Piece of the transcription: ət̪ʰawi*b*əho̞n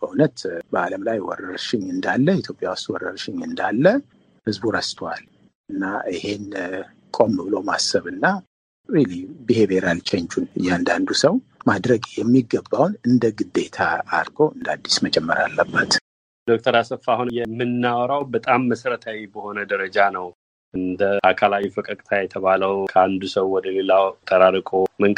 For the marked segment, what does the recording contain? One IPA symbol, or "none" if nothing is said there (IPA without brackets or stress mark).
b